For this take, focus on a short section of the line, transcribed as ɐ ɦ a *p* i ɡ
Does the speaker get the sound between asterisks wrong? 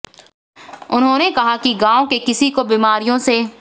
yes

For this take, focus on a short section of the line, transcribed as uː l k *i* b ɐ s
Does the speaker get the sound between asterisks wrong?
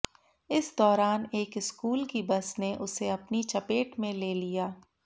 no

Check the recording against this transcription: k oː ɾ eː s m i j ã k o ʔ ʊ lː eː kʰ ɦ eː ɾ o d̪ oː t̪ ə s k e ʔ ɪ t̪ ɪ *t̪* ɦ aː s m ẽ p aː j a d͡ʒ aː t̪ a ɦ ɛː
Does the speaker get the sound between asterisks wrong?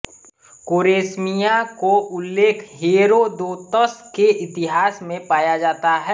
yes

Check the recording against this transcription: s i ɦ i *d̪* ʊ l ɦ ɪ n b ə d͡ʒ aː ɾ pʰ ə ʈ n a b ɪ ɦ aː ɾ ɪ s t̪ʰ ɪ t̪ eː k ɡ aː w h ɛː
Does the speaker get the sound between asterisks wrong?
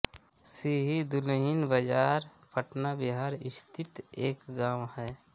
no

